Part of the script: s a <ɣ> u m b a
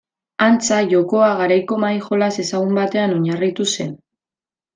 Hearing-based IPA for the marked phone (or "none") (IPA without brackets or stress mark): ɣ